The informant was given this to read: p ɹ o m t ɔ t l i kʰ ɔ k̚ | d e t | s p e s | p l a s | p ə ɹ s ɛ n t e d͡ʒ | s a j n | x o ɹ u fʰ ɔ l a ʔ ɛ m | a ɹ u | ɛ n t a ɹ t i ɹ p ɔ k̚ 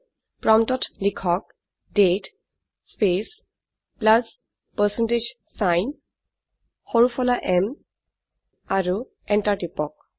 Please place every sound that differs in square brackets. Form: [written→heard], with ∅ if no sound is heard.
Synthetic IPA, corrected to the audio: p ɹ [o→ɔ] m t ɔ t l i kʰ ɔ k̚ | d e t | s p e s | p l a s | p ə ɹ s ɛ n t e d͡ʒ | s a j n | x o ɹ u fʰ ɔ l a ʔ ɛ m | a ɹ u | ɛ n t a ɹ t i [ɹ→∅] p ɔ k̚

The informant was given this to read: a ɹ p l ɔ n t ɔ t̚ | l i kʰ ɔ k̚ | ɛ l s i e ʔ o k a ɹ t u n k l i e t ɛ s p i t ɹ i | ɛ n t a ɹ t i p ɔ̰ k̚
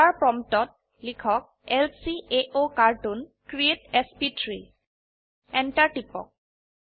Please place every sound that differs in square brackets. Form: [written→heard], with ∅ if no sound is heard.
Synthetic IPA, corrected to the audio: a ɹ p [l→ɹ] ɔ [n→m] t ɔ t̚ | l i kʰ ɔ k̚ | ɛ l s i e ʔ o k a ɹ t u n k [l→ɹ] i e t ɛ s p i t ɹ i | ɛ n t a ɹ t i p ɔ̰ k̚

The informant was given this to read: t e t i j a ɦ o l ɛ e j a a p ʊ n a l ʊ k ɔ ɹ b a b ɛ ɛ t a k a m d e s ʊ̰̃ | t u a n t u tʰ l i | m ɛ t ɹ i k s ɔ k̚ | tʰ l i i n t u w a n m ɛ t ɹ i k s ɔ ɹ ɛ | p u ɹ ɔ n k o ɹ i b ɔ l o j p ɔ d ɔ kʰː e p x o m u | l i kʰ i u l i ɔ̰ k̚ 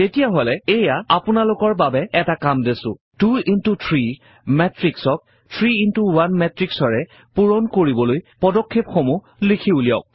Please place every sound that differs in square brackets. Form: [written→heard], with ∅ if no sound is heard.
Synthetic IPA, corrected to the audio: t e t i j a ɦ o l ɛ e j a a p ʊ n a l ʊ k ɔ ɹ b a b ɛ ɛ t a k a m d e s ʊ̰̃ | t u [a→i] n t u tʰ [l→ɹ] i | m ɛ t ɹ i k s ɔ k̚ | tʰ [l→ɹ] i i n t u w a n m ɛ t ɹ i k s ɔ ɹ ɛ | p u ɹ ɔ n k o ɹ i b ɔ l o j p ɔ d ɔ kʰː e p x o m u | l i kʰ i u l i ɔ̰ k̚

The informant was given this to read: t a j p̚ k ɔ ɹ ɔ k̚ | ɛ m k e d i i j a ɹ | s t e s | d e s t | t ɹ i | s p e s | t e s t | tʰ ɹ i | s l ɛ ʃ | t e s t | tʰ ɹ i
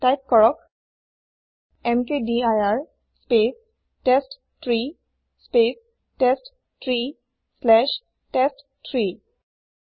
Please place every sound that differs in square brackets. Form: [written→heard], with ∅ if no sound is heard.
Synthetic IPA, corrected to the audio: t a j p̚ k ɔ ɹ ɔ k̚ | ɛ m k e d i [i→a] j a ɹ | s [t→p] e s | [d→t] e s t | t ɹ i | s p e s | t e s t | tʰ ɹ i | s l ɛ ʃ | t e s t | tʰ ɹ i

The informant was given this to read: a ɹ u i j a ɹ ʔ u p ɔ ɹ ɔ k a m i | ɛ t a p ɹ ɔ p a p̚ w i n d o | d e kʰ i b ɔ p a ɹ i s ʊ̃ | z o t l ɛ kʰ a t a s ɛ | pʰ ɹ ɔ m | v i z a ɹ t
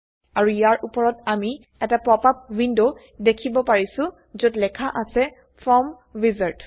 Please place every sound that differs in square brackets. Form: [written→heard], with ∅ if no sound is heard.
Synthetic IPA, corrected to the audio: a ɹ u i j a ɹ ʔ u p ɔ ɹ ɔ [k→t] a m i | ɛ t a p ɹ ɔ p a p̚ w i n d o | d e kʰ i b ɔ p a ɹ i s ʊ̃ | z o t l ɛ kʰ a [t→ʔ] a s ɛ | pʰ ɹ ɔ m | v i z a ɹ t

